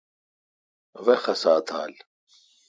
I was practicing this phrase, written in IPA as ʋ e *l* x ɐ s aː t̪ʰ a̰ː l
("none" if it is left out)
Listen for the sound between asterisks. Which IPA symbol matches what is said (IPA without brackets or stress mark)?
none